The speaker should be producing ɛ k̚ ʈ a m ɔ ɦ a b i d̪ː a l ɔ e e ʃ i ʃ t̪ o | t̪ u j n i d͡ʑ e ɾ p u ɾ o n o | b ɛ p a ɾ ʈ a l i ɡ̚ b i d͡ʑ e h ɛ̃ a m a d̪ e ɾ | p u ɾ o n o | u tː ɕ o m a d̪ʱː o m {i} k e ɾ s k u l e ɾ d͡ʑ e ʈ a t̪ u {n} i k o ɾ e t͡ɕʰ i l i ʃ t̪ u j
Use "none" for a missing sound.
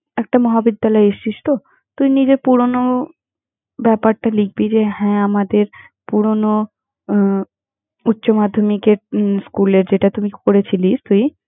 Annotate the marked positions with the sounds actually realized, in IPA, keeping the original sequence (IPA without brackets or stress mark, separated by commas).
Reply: i, m